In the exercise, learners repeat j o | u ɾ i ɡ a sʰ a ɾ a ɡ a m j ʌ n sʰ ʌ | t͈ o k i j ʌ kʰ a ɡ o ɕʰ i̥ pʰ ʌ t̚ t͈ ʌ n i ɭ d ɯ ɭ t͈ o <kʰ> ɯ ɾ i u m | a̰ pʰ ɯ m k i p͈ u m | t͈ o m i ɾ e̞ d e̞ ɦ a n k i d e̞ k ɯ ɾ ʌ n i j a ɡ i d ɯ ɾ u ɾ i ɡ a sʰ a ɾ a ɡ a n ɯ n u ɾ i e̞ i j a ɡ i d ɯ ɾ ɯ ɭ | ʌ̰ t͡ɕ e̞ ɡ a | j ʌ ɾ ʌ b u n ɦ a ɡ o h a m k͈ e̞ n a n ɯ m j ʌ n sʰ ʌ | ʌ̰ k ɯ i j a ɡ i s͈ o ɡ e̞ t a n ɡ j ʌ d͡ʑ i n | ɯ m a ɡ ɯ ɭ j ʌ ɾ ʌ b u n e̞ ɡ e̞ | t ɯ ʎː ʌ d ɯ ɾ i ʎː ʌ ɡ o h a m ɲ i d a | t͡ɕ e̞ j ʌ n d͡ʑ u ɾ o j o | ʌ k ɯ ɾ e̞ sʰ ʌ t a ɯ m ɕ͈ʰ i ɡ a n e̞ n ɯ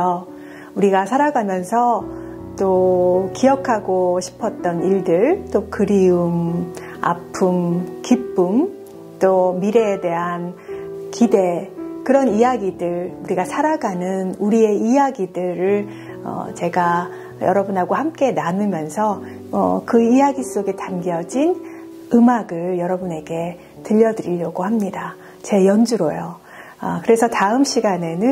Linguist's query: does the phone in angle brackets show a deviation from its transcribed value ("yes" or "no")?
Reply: yes